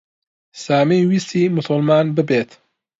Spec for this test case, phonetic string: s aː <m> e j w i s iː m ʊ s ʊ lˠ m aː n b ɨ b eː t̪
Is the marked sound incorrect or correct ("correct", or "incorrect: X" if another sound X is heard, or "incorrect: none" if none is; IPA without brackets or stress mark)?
correct